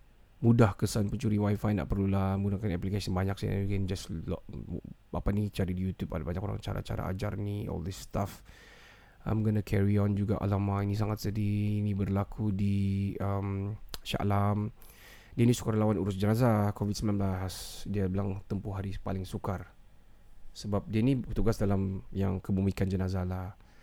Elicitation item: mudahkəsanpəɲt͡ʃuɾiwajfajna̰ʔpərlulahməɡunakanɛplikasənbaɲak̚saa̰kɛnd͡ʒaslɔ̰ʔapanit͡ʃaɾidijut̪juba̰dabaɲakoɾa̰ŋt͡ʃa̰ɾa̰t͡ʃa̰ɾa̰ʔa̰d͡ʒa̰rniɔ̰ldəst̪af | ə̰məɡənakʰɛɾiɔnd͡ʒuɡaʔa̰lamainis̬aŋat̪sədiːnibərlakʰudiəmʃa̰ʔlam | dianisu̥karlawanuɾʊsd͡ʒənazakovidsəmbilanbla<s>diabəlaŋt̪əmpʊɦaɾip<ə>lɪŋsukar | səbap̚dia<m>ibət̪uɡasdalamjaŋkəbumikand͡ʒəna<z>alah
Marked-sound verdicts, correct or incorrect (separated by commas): correct, incorrect, incorrect, correct